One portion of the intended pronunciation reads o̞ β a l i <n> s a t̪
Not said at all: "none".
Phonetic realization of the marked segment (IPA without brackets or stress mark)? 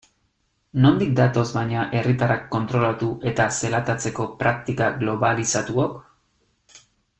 none